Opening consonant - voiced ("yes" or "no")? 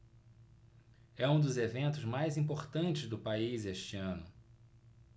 yes